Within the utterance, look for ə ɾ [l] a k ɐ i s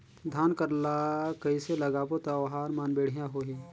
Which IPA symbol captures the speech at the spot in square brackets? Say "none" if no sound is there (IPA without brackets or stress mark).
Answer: l